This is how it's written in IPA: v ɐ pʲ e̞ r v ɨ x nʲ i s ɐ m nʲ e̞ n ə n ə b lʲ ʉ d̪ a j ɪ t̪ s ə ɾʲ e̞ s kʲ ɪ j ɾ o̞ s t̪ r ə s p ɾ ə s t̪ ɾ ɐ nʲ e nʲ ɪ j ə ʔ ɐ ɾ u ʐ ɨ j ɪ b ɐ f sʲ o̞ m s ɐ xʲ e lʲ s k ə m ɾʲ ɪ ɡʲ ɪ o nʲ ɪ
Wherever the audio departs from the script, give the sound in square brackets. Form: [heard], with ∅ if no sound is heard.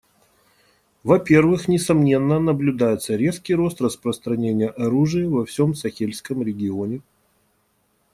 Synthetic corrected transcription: v ɐ pʲ e̞ r v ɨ x nʲ [ɪ] s ɐ m nʲ e̞ [nː] ə n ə b lʲ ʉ d̪ a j ɪ t̪ s ə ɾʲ e̞ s kʲ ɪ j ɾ o̞ s t̪ r ə s p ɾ ə s t̪ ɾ ɐ nʲ e nʲ ɪ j ə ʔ ɐ ɾ u ʐ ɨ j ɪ [v] ɐ f sʲ o̞ m s ɐ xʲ e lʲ s k ə m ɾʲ ɪ ɡʲ ɪ o nʲ ɪ